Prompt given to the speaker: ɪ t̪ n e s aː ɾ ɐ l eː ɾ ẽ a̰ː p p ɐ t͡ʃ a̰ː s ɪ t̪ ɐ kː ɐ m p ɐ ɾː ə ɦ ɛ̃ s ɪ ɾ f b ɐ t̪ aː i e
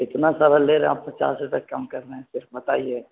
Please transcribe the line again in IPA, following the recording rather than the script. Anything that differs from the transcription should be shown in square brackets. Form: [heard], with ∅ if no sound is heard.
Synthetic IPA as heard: ɪ t̪ n [a] s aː ɾ [a] l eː ɾ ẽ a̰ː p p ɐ t͡ʃ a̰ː s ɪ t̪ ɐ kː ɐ m [k] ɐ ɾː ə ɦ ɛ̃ s ɪ ɾ f b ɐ t̪ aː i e